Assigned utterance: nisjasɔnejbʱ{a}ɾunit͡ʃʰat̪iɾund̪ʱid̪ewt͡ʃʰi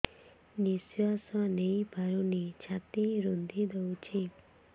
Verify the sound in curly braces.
correct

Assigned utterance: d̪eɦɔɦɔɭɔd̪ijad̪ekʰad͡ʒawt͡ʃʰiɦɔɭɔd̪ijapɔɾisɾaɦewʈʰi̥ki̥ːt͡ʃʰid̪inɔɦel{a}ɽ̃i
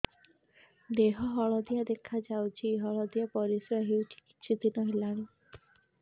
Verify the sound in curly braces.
correct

